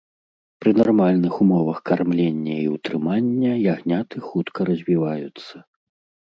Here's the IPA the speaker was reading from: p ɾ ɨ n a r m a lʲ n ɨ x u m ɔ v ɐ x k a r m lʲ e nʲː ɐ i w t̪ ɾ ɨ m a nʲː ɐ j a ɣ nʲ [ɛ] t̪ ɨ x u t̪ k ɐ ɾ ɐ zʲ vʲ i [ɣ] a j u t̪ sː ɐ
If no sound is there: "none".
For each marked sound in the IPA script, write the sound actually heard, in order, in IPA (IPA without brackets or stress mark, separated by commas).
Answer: a, v